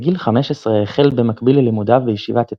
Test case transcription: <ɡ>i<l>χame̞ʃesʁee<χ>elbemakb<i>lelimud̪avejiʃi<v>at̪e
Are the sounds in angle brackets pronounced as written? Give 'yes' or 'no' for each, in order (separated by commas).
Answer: yes, yes, yes, yes, yes